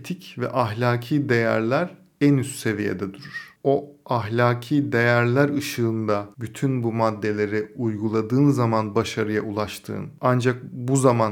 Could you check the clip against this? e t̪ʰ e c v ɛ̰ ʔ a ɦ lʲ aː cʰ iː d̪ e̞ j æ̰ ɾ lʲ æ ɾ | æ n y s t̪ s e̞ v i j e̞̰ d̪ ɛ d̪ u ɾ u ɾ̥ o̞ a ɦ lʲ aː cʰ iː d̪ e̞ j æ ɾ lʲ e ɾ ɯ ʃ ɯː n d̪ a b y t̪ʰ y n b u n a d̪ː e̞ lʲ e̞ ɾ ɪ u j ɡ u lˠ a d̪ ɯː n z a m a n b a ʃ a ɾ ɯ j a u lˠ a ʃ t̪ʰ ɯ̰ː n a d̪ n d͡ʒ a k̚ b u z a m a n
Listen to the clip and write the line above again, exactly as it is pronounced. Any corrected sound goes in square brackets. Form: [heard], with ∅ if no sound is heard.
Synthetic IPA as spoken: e t̪ʰ [i] c v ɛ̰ ʔ a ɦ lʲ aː cʰ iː d̪ e̞ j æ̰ ɾ lʲ æ ɾ | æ n y s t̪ s e̞ v i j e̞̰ d̪ ɛ d̪ u ɾ u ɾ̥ o̞ a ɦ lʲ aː cʰ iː d̪ e̞ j æ ɾ lʲ [æ] ɾ ɯ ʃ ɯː n d̪ a b y t̪ʰ y n b u [m] a d̪ː e̞ lʲ e̞ ɾ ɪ u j ɡ u lˠ a d̪ ɯː n z a m a n b a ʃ a ɾ ɯ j a u lˠ a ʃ t̪ʰ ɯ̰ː n a [∅] n d͡ʒ a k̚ b u z a m a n